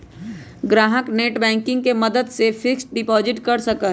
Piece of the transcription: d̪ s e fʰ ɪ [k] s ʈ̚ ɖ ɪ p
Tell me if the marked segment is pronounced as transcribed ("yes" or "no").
yes